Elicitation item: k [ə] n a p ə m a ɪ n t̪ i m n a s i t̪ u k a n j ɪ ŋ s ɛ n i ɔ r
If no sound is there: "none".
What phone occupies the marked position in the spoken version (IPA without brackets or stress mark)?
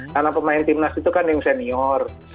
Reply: a